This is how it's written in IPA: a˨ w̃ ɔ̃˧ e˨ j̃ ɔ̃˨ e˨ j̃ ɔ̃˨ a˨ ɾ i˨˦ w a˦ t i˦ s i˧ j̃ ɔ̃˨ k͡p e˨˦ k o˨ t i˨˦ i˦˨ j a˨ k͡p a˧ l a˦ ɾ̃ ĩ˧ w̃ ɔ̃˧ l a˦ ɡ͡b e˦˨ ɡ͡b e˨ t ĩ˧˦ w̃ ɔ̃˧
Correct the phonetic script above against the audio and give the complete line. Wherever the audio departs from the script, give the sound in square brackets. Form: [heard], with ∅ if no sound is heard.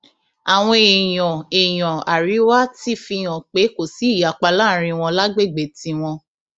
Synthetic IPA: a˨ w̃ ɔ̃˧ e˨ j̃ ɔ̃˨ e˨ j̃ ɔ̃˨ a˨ ɾ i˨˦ w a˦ t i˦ [f] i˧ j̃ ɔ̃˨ k͡p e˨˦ k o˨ [s] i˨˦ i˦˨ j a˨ k͡p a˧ l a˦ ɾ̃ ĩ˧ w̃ ɔ̃˧ l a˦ ɡ͡b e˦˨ ɡ͡b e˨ t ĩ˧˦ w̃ ɔ̃˧